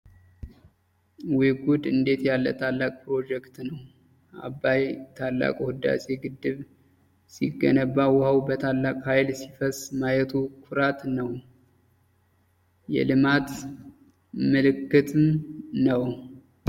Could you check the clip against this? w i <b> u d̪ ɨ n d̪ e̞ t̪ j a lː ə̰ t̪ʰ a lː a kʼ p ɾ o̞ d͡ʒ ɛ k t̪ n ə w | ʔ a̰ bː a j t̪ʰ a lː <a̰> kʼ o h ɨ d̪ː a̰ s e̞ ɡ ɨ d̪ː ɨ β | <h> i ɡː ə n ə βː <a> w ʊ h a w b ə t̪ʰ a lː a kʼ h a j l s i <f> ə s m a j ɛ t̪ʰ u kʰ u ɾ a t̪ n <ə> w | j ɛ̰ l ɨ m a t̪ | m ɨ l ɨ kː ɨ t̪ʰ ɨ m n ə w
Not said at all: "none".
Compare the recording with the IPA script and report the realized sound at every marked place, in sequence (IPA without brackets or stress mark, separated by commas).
ɡ, a̰, s, a, f, ə